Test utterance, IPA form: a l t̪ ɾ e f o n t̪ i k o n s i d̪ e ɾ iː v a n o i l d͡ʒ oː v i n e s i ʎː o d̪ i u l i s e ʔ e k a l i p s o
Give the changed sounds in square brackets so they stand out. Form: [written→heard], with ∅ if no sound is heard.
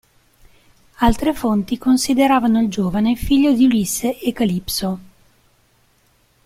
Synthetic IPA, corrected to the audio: a l t̪ ɾ e f o n t̪ i k o n s i d̪ e ɾ [iː→aː] v a n o i l d͡ʒ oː v [i→a] n e [s→f] i ʎː o d̪ i u l i s e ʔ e k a l i p s o